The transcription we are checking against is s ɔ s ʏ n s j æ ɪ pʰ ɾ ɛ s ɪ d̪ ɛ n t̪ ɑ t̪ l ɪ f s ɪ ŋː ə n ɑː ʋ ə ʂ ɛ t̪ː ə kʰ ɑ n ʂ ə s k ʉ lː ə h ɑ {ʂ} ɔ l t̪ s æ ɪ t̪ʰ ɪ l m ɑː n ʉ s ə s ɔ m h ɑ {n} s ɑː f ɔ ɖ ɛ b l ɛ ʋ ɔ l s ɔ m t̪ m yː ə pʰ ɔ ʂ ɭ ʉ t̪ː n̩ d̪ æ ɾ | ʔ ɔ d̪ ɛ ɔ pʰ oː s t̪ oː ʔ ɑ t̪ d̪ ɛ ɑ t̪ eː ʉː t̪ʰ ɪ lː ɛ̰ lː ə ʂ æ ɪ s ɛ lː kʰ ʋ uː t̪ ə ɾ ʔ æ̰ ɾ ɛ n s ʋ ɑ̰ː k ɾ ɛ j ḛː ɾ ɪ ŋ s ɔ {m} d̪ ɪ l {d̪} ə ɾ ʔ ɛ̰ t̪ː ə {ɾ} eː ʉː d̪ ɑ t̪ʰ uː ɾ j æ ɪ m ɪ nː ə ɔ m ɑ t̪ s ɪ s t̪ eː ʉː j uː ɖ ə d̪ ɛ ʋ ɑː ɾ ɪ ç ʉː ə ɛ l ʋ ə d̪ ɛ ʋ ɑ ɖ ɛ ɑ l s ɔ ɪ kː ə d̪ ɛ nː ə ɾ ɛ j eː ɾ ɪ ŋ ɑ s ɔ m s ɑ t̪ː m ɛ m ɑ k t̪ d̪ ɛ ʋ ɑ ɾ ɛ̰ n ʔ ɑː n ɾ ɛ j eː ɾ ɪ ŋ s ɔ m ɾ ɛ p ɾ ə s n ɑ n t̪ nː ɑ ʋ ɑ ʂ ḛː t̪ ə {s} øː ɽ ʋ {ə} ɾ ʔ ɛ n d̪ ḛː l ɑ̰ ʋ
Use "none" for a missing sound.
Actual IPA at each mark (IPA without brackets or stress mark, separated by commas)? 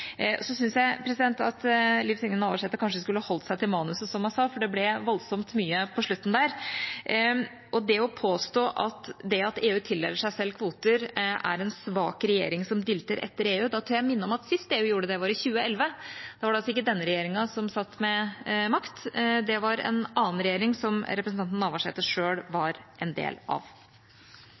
h, n, m, t̪, ɾ, ʂ, ɑ